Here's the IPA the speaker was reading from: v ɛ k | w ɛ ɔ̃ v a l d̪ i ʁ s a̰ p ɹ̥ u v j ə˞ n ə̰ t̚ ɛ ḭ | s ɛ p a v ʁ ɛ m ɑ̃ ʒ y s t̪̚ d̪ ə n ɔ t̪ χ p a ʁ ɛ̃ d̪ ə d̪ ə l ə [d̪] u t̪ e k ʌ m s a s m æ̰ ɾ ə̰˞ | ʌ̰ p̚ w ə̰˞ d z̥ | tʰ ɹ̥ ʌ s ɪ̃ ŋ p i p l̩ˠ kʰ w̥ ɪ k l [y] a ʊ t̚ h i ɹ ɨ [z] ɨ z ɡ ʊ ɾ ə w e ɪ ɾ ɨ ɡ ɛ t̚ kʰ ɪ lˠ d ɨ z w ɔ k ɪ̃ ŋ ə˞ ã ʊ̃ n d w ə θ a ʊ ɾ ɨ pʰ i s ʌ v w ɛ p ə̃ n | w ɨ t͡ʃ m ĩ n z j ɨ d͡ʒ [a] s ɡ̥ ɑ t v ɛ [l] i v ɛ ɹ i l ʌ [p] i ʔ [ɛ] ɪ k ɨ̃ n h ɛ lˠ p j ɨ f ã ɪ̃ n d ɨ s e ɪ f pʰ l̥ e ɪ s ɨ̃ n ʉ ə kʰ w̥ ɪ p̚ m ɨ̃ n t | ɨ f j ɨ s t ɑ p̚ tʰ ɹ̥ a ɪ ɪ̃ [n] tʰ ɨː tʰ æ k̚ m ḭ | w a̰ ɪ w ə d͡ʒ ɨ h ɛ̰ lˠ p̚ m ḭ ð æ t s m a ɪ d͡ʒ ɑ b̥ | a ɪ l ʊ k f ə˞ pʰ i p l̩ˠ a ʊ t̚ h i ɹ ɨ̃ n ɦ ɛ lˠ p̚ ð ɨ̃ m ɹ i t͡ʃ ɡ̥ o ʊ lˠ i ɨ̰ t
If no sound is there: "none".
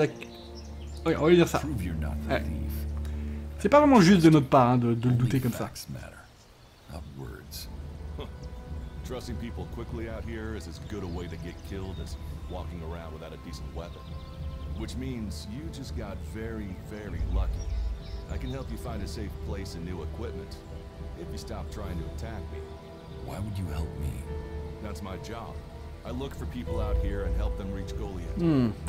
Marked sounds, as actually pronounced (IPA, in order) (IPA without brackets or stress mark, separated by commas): d̪, i, z, ʌ, ɹ, k, a, ŋ